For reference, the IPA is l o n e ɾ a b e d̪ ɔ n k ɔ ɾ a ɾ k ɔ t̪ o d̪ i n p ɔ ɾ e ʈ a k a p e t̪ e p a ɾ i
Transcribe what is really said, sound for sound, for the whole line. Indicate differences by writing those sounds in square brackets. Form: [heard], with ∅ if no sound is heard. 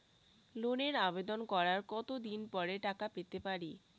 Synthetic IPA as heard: l o n e ɾ a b e d̪ [o] n k ɔ ɾ a ɾ k ɔ t̪ o d̪ i n p ɔ ɾ e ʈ a k a p e t̪ e p a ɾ i